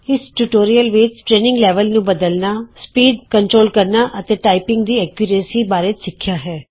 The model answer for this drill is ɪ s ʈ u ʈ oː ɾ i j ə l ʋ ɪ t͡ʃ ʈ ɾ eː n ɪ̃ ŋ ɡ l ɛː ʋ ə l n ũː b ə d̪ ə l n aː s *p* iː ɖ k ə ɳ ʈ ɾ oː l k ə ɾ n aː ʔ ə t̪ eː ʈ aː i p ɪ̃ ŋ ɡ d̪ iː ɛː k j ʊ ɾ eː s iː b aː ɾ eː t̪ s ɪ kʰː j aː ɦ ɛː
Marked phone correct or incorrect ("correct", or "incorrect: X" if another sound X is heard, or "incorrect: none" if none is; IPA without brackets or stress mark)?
correct